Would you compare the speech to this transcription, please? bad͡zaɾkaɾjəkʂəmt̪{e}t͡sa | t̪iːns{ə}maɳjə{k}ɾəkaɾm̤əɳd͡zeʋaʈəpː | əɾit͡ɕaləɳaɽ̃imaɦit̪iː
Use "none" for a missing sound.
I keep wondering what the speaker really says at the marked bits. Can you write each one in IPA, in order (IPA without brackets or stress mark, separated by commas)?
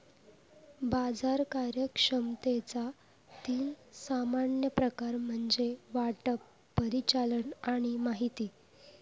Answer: e, a, p